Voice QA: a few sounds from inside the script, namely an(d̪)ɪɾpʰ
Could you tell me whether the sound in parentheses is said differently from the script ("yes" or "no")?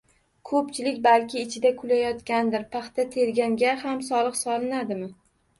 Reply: no